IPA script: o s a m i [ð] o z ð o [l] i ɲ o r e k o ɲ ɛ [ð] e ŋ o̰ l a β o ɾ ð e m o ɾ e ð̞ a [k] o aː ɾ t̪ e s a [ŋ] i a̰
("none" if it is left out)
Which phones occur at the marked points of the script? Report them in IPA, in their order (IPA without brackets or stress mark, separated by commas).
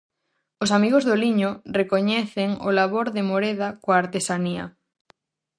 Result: ɣ, l, θ, k, n